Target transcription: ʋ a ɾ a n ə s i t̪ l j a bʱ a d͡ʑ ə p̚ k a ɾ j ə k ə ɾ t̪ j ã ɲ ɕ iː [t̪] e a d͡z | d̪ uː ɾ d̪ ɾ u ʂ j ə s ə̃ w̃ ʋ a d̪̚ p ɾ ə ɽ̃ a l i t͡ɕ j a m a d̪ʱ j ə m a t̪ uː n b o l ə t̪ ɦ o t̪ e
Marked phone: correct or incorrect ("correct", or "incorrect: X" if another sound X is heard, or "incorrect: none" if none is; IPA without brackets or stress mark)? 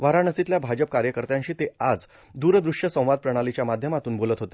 correct